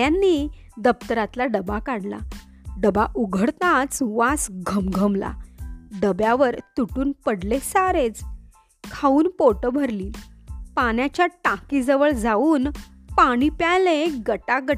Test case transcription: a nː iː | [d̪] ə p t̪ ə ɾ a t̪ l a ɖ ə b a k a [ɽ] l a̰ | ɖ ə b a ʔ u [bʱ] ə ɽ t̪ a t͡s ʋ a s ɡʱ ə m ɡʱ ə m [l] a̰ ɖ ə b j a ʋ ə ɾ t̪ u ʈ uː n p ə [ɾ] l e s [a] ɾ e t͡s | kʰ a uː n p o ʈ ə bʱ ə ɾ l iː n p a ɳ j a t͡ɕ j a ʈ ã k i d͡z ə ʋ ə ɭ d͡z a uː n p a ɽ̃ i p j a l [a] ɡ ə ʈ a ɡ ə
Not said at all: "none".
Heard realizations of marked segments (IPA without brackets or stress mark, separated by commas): d̪, ɽ, ɡʱ, l, ɽ, a, e